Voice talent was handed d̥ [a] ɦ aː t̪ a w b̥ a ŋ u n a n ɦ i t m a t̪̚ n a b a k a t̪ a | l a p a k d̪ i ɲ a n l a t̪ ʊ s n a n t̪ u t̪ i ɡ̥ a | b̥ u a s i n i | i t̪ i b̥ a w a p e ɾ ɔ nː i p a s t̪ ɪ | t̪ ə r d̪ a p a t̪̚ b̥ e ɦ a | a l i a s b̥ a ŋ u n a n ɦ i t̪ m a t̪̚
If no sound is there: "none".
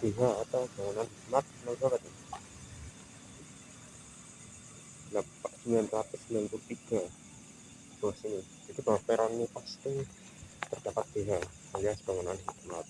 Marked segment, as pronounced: e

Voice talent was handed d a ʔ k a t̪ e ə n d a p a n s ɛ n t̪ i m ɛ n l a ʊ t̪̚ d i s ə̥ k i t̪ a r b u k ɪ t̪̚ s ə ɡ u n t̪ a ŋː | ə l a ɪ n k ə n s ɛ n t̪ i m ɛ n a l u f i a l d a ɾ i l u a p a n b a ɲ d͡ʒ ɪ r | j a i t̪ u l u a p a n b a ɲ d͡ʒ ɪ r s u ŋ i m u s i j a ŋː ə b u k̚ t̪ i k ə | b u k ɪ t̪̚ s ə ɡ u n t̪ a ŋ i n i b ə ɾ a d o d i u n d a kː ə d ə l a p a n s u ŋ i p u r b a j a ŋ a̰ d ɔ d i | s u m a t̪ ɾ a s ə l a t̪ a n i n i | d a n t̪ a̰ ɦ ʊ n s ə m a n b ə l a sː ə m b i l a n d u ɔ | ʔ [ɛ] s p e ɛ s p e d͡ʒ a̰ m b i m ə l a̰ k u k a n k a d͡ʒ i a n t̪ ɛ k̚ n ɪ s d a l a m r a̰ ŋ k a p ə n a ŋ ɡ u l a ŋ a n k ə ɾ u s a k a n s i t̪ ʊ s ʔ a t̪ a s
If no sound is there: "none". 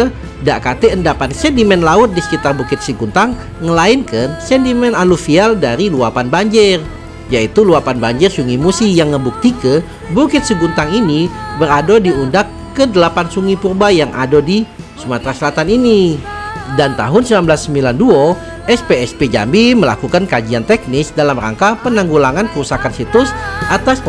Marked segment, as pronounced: ɛ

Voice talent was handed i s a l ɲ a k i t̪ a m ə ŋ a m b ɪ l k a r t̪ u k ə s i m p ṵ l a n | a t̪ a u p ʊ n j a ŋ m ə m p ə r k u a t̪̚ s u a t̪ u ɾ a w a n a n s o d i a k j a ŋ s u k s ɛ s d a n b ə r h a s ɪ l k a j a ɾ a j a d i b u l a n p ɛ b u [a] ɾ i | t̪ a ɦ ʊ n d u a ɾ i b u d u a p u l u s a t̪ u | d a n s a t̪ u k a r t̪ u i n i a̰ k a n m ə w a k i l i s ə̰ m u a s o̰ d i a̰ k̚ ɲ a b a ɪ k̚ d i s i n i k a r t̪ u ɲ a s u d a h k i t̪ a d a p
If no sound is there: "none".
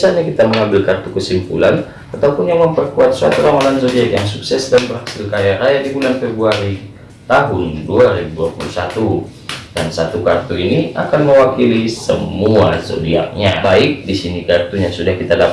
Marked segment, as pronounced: a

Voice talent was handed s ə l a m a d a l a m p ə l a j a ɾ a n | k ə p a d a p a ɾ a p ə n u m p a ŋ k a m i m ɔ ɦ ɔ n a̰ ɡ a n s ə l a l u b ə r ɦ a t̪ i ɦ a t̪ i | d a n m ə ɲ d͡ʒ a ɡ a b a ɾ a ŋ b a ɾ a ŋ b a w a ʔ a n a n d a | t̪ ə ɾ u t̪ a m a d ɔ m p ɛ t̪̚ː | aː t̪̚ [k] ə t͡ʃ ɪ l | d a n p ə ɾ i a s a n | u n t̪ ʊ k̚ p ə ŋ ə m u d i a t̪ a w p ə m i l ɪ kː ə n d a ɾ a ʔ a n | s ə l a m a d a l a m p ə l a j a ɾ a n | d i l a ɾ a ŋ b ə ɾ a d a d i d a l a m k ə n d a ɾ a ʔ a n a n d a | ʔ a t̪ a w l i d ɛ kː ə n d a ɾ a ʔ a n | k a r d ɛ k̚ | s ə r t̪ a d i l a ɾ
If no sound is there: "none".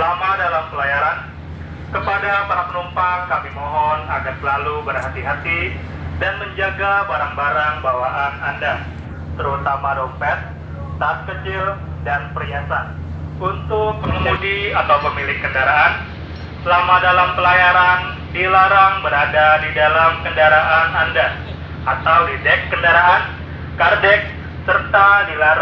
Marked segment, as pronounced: k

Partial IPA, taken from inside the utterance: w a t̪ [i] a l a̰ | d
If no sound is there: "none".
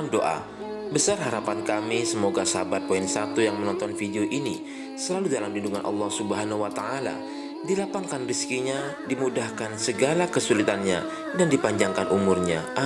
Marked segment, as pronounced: a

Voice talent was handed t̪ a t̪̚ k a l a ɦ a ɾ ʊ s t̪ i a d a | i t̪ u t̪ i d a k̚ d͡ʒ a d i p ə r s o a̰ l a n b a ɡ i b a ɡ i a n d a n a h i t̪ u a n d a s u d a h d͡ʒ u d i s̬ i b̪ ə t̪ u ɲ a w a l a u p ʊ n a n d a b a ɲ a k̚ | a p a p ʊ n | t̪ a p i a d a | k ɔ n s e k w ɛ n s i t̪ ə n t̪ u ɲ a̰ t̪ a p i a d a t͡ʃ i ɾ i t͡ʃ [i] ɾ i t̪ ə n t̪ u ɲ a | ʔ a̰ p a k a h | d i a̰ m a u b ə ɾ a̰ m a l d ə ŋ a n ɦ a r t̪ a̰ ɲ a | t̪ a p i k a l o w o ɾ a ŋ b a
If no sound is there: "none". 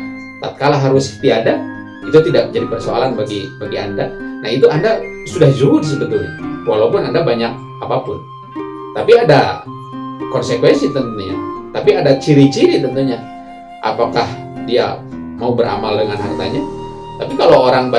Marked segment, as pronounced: i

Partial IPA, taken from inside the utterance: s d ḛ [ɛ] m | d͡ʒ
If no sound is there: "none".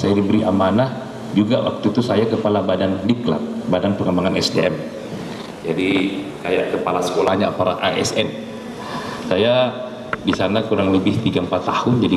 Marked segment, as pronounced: ɛ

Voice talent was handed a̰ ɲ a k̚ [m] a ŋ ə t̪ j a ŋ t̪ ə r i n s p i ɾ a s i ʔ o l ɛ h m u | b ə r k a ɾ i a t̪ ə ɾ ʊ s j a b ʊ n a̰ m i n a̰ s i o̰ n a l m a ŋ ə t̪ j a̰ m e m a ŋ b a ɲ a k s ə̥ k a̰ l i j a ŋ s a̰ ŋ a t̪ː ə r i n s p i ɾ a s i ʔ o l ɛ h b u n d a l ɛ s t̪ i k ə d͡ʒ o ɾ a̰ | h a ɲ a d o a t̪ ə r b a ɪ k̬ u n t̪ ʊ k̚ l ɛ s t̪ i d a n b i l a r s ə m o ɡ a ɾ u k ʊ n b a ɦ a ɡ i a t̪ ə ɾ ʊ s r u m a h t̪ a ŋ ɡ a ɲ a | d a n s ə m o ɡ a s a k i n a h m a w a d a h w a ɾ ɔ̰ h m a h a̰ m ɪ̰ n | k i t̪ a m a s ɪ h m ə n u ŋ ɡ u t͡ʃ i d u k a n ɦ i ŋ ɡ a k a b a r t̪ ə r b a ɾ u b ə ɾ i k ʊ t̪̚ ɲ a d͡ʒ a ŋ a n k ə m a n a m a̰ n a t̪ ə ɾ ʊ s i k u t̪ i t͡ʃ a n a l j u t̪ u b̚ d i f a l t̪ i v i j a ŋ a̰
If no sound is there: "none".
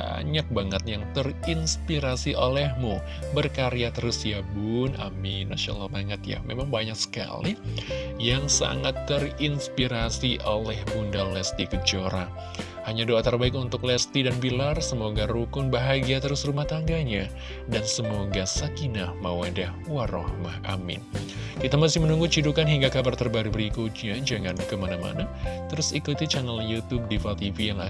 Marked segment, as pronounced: b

